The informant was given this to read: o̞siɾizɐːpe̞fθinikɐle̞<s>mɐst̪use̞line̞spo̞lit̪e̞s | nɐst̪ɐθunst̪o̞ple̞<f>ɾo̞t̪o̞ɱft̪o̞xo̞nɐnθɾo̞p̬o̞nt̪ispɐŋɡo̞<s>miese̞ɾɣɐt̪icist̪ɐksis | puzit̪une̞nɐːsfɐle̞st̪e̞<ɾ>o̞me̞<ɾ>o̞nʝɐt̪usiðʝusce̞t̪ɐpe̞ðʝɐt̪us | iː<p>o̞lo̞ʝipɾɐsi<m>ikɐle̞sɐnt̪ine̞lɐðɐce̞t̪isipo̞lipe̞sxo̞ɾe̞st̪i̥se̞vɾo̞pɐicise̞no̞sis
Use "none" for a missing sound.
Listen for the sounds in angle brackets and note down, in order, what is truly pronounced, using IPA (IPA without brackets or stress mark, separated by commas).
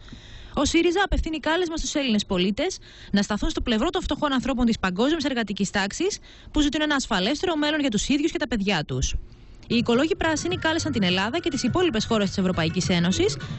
z, v, z, ɾ, l, k, n